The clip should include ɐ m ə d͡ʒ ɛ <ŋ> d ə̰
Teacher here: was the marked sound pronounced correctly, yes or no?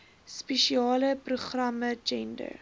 no